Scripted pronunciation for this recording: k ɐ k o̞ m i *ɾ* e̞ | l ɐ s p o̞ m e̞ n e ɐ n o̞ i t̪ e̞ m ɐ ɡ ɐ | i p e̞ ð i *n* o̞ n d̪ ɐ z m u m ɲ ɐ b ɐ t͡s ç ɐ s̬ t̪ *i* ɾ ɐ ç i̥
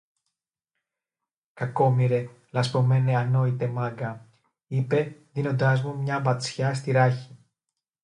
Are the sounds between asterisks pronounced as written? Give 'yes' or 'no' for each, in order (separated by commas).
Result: yes, yes, yes